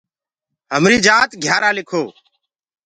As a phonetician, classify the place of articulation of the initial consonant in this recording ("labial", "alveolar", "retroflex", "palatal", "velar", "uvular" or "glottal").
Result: glottal